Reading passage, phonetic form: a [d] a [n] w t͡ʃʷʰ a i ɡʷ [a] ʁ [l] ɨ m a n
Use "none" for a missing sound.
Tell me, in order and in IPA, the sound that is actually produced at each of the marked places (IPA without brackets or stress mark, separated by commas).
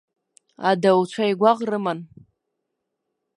d, none, a, r